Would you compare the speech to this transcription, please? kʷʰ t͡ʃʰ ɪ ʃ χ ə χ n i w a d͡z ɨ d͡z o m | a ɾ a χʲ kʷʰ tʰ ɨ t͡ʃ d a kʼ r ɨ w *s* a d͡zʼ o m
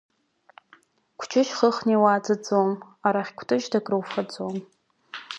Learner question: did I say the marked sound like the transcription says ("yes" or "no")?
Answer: no